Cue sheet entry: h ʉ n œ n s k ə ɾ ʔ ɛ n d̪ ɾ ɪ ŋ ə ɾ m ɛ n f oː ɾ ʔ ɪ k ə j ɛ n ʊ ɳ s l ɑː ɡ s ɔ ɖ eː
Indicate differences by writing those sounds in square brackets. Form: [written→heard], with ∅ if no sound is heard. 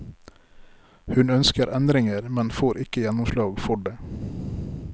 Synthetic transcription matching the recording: h ʉ n œ n s k ə ɾ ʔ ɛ n d̪ ɾ ɪ ŋ ə ɾ m ɛ n f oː ɾ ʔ ɪ k ə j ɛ n ʊ [ɳ→m] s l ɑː ɡ [s→f] ɔ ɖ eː

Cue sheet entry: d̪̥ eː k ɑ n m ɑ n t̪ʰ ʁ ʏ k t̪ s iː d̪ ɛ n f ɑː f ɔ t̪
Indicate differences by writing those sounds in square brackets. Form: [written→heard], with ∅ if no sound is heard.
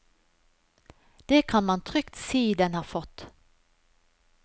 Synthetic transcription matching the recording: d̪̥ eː [k→kʰ] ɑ n m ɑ n t̪ʰ ʁ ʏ k t̪ s iː d̪ ɛ n [f→h] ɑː f ɔ t̪

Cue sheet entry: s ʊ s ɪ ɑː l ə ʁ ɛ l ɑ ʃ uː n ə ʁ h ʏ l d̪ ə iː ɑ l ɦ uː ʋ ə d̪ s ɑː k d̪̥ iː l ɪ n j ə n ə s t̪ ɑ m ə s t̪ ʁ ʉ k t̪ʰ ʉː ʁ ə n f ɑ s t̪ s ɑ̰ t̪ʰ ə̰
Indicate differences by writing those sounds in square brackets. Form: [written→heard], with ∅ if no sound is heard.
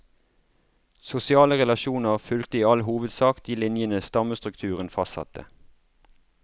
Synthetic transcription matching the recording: s ʊ s ɪ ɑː l ə ʁ ɛ l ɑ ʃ uː n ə ʁ [h→f] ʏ l [d̪→t̪] ə iː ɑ l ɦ uː ʋ ə d̪ s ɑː k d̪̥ iː l ɪ n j ə n ə s t̪ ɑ m ə s t̪ ʁ ʉ k t̪ʰ ʉː ʁ ə n f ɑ s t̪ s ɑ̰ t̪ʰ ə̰

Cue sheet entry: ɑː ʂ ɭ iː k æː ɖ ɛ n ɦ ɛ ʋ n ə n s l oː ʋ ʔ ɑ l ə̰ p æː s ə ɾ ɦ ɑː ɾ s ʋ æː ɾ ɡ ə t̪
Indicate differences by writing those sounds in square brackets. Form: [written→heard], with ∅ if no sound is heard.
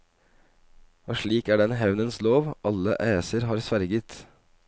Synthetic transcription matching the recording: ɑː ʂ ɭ iː k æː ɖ ɛ n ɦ ɛ ʋ n ə n s l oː ʋ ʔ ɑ l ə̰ [p→ʔ] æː s ə ɾ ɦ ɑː ɾ s ʋ [æː→æ] ɾ ɡ ə t̪

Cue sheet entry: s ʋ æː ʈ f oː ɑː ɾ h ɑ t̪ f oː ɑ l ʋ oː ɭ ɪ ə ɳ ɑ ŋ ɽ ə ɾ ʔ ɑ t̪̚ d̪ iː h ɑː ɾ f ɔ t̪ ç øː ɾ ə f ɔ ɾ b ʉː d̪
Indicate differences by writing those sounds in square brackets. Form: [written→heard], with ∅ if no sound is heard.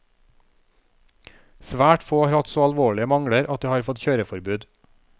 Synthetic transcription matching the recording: s ʋ æː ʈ f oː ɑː ɾ h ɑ t̪ [f→s] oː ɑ l ʋ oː ɭ ɪ ə [ɳ→m] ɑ ŋ ɽ ə ɾ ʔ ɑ t̪̚ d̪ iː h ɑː ɾ f ɔ t̪ ç øː ɾ ə f ɔ ɾ b ʉː d̪

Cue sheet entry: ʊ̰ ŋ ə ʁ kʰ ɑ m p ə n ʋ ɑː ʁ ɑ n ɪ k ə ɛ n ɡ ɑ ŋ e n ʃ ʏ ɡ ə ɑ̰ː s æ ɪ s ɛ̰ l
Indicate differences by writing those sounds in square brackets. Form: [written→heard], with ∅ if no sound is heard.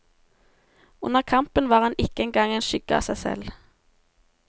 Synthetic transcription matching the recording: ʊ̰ [ŋ→n] ə ʁ kʰ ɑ m p ə n ʋ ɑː ʁ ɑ n ɪ k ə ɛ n ɡ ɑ ŋ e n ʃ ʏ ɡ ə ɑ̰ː s æ ɪ s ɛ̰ l

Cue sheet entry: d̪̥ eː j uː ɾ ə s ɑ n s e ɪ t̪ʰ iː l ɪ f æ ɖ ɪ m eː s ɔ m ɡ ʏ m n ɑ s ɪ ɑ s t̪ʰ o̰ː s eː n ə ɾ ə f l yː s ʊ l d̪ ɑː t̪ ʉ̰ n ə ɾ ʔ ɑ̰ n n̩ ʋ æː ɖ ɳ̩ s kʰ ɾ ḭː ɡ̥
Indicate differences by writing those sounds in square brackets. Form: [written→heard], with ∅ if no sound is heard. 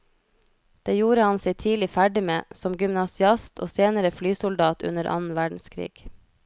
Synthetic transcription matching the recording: d̪̥ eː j uː ɾ ə [s→h] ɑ n s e ɪ t̪ʰ iː l ɪ f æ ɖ ɪ m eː s ɔ m ɡ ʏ m n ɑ s ɪ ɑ s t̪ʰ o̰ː s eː n ə ɾ ə f l yː s ʊ l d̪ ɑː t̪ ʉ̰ n ə ɾ ʔ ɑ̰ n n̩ ʋ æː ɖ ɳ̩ s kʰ ɾ ḭː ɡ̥

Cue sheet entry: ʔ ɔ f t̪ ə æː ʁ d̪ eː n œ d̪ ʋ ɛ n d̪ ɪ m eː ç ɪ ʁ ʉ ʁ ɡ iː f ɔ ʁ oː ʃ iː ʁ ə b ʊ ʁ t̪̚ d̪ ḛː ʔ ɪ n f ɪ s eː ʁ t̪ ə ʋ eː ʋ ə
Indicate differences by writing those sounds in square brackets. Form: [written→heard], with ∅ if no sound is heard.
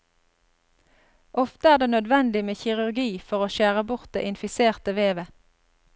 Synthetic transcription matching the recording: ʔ ɔ f t̪ ə æː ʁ d̪ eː n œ d̪ ʋ ɛ n d̪ ɪ m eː ç ɪ ʁ ʉ ʁ ɡ iː f ɔ ʁ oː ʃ [iː→æː] ʁ ə b ʊ ʁ t̪̚ d̪ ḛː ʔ ɪ n f ɪ s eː ʁ t̪ ə ʋ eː ʋ ə

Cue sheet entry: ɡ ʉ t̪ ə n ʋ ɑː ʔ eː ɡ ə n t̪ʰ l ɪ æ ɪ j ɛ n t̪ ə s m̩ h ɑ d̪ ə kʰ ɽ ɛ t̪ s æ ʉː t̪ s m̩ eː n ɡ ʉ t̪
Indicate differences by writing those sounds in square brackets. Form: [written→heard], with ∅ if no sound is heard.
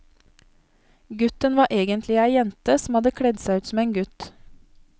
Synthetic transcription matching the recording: ɡ ʉ t̪ ə n ʋ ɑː ʔ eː ɡ ə n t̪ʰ l ɪ æ ɪ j ɛ n t̪ ə s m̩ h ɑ d̪ ə kʰ ɽ ɛ [t̪→d̪] s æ ʉː t̪ s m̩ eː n ɡ ʉ t̪

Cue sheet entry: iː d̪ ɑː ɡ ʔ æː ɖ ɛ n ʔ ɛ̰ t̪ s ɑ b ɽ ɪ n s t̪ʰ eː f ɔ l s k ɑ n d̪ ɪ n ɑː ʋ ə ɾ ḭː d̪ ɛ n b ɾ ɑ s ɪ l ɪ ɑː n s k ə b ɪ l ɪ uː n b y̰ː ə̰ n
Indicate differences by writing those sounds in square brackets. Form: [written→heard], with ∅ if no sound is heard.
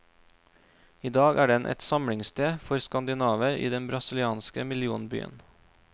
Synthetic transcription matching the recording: iː d̪ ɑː ɡ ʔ æː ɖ ɛ n ʔ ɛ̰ t̪ s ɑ [b→m] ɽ ɪ [n→ŋ] s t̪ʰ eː f ɔ [l→ɾ] s k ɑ n d̪ ɪ n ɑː ʋ ə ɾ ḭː d̪ ɛ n b ɾ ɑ s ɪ l ɪ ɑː n s k ə [b→m] ɪ l ɪ uː n b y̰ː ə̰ n

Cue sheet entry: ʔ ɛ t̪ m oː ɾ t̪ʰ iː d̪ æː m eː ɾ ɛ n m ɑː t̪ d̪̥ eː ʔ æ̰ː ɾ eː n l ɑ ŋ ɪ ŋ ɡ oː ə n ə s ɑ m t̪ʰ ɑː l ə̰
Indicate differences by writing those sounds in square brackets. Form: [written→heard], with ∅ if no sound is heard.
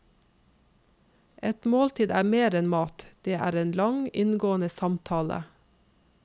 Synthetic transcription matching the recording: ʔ ɛ t̪ m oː [ɾ→l] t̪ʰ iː d̪ æː m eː ɾ ɛ n m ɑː t̪ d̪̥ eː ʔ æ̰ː ɾ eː n l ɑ ŋ ɪ [ŋ→n] ɡ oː ə n ə s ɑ m t̪ʰ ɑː l ə̰

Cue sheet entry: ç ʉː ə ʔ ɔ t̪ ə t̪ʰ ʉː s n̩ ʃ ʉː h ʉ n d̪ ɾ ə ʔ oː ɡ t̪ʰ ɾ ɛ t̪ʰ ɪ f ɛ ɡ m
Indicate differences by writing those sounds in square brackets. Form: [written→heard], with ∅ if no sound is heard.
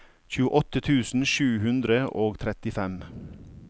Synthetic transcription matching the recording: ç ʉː ə ʔ ɔ t̪ ə t̪ʰ ʉː s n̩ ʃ ʉː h ʉ n d̪ ɾ ə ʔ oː ɡ t̪ʰ ɾ ɛ [t̪ʰ→t̪] ɪ f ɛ [ɡ→∅] m

